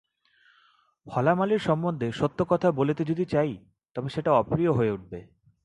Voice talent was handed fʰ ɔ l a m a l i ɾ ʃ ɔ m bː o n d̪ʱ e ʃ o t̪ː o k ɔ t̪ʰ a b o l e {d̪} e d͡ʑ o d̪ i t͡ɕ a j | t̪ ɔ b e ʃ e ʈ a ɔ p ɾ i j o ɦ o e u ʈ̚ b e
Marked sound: incorrect: t̪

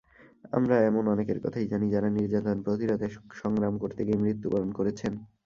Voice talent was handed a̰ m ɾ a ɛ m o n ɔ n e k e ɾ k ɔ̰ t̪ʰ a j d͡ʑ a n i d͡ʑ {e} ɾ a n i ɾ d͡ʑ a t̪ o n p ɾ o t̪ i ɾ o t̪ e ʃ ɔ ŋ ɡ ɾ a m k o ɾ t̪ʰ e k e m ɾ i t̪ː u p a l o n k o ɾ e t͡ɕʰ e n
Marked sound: incorrect: a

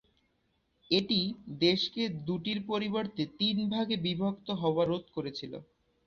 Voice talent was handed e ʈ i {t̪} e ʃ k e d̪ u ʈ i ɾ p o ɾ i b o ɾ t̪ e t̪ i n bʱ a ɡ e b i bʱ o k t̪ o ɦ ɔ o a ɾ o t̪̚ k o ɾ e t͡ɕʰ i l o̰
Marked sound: incorrect: d̪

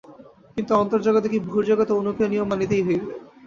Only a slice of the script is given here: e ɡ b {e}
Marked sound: correct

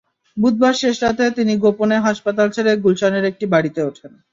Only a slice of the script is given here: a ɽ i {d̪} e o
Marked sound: incorrect: t̪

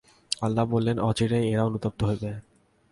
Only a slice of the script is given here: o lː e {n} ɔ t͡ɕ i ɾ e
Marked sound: correct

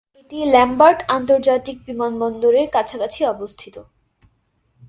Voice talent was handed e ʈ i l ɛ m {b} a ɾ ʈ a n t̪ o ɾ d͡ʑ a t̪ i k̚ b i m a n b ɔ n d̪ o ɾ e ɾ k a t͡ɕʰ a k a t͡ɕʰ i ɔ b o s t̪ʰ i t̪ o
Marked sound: correct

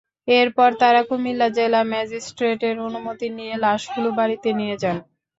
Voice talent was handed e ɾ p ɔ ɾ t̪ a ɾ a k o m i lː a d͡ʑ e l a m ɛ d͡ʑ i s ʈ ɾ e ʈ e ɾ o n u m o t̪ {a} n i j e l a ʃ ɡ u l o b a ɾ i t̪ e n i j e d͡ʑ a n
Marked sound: incorrect: i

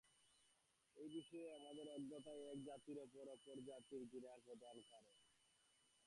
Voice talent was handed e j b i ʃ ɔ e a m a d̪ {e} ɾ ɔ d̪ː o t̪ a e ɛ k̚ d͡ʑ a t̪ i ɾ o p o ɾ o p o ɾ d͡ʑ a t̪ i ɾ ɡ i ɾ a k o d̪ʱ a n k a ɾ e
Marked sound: correct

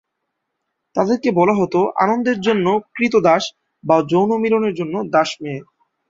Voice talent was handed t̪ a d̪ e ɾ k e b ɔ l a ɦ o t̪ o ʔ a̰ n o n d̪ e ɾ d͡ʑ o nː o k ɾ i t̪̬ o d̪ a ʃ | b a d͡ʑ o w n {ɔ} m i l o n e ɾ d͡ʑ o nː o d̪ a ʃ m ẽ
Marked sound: incorrect: o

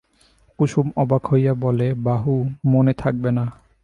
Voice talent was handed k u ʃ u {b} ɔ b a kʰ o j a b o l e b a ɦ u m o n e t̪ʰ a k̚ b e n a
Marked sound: incorrect: m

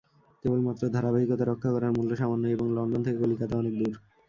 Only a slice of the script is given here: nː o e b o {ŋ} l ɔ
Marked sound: correct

